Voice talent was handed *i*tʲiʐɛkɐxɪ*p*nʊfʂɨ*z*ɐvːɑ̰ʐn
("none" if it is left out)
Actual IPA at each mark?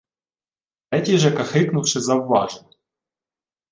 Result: ɛ, k, z

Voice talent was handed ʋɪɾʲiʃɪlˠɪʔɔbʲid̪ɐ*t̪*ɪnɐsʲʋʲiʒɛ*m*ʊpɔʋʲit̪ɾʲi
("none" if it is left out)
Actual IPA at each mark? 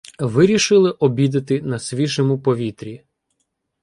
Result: t̪, m

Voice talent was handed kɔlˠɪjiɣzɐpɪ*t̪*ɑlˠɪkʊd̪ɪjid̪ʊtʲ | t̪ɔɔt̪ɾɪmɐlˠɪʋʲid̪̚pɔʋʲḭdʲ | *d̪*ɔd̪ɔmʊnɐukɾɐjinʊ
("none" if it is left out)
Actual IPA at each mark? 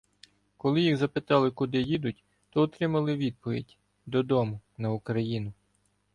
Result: t̪, d̪

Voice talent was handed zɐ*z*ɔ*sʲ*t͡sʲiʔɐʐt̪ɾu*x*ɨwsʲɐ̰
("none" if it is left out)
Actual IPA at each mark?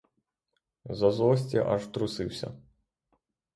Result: z, sʲ, s

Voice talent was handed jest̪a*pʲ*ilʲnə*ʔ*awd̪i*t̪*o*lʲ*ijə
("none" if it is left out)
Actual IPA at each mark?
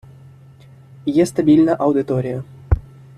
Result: bʲ, ʔ, t̪, ɾʲ

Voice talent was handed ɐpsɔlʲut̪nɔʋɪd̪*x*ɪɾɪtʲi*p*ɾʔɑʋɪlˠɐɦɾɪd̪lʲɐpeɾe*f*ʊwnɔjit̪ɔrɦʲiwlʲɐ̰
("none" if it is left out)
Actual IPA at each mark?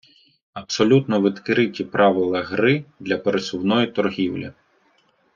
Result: k, p, s

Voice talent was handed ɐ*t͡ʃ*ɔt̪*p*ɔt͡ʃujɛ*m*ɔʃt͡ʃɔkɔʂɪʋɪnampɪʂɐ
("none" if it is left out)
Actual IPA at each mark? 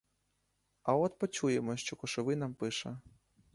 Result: none, p, m

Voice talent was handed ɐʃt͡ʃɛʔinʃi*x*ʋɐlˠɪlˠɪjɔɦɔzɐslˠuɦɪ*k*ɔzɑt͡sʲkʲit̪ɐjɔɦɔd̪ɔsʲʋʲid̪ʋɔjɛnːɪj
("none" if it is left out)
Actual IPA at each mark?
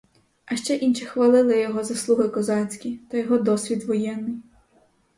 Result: x, k

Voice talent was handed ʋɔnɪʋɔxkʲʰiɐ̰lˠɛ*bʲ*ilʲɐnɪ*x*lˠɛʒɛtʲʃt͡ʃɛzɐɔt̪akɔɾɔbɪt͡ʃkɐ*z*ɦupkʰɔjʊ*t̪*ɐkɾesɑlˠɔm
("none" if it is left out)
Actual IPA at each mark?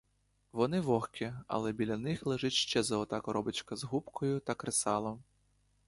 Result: bʲ, x, z, t̪

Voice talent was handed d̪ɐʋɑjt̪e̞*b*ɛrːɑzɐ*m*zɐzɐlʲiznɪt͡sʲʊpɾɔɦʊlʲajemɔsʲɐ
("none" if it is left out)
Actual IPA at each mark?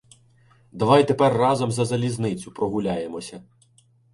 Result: p, m

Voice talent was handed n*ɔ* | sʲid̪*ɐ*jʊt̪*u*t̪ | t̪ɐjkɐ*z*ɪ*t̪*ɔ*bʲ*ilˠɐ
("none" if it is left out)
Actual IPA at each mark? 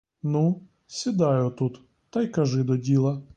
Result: u, ɑ, u, ʒ, d̪, dʲ

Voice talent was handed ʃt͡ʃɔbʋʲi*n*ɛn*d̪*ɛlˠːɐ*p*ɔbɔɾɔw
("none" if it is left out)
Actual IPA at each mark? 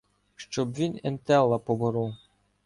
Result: n, t̪, p

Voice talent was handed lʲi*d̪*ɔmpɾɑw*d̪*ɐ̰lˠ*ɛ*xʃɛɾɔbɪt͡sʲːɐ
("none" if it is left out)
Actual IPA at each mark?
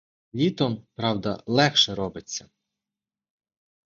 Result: t̪, d̪, ɛ

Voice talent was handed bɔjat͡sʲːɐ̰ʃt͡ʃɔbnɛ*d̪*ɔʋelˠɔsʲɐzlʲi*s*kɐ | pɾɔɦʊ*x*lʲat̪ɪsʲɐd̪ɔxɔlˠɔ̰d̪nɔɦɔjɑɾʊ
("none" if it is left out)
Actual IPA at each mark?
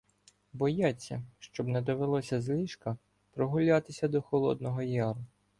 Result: d̪, ʃ, none

